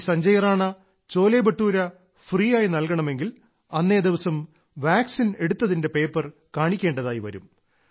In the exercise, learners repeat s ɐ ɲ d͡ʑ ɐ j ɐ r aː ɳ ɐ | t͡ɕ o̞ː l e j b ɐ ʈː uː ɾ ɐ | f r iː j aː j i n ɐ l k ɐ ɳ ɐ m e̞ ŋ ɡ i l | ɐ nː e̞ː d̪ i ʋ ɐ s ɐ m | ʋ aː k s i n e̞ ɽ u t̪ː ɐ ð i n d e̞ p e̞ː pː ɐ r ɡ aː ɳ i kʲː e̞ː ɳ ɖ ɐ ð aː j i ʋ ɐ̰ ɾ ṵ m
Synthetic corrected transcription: s ɐ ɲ d͡ʑ ɐ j ɐ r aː ɳ ɐ | t͡ɕ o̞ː l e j b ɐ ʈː uː ɾ ɐ | f r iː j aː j i n ɐ l k ɐ ɳ ɐ m e̞ ŋ ɡ i l | ɐ nː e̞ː d̪ i ʋ ɐ s ɐ m | ʋ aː k s i n e̞ ɽ u t̪ː ɐ ð i n d e̞ p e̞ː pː ɐ r k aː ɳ i kʲː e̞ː ɳ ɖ ɐ ð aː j i ʋ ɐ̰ ɾ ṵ m